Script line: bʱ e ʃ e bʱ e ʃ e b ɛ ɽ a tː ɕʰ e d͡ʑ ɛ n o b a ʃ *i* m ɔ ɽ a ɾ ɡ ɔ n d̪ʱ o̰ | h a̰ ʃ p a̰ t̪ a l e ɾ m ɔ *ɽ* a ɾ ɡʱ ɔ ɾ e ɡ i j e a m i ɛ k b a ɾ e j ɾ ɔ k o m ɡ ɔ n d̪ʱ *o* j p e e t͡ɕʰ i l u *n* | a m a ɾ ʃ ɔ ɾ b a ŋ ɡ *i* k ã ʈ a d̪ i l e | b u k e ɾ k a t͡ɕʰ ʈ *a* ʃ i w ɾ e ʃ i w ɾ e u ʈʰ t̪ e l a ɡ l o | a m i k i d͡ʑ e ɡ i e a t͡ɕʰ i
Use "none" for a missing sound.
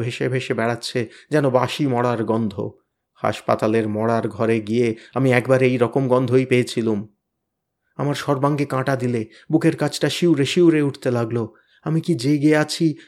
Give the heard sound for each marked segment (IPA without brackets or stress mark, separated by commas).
i, ɽ, o, m, e, a